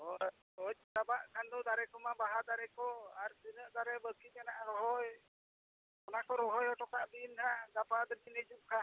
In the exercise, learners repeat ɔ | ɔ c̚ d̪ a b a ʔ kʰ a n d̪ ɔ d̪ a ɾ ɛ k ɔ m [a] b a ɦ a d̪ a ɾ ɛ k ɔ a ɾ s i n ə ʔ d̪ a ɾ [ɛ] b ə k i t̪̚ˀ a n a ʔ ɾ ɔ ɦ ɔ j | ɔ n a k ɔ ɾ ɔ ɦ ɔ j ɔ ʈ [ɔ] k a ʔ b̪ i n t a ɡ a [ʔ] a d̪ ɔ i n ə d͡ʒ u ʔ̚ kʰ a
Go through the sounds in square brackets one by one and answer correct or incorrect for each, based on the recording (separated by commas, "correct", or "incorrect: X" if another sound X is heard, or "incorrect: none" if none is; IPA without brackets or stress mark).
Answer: correct, correct, correct, incorrect: p